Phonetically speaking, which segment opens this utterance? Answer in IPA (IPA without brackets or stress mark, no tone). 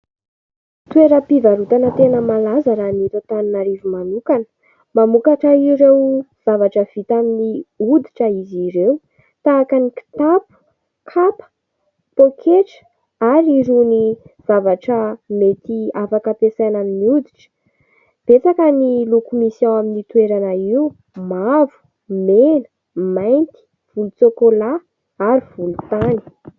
t̪